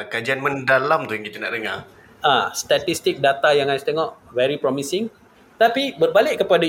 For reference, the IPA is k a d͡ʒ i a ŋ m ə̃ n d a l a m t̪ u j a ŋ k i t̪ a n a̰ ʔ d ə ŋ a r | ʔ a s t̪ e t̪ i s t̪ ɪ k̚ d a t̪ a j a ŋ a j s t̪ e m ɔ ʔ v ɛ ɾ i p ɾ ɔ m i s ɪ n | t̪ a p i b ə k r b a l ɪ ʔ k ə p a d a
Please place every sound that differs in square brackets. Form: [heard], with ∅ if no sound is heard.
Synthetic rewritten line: k a d͡ʒ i a [n] m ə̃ n d a l a m t̪ u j a ŋ k i t̪ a n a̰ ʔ d ə ŋ a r | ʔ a s t̪ [a] t̪ i s t̪ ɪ k̚ d a t̪ a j a ŋ a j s t̪ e [ŋ] ɔ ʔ v ɛ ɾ i p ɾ ɔ m i s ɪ [ŋ] | t̪ a p i b ə [∅] r b a l ɪ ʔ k ə p a d a